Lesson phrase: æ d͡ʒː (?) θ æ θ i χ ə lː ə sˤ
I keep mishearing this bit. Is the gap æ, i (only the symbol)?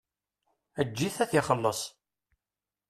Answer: i